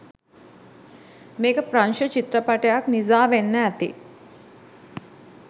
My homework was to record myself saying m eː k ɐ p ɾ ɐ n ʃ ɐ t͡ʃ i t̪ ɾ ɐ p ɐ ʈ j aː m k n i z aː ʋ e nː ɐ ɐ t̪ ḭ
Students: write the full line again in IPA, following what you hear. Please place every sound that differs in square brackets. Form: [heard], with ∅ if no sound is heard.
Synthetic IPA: m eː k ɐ p ɾ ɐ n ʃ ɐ t͡ʃ i t̪ ɾ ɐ p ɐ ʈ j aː [∅] k n i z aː ʋ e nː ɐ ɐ t̪ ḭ